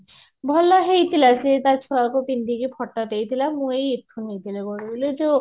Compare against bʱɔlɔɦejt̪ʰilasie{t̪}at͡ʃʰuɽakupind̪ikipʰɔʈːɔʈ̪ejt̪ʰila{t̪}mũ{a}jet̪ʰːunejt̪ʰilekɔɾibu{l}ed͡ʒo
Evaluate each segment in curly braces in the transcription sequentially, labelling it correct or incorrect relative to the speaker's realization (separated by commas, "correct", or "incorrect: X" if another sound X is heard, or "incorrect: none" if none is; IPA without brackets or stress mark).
correct, incorrect: none, incorrect: e, correct